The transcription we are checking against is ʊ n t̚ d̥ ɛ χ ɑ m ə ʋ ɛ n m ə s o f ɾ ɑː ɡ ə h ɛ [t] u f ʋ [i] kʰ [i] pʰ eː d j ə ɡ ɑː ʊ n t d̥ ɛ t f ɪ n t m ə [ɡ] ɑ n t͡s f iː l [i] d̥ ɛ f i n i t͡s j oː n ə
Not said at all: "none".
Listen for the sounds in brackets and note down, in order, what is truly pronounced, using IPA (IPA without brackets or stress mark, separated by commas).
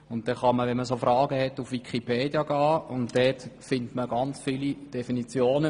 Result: t, i, i, ɡ, i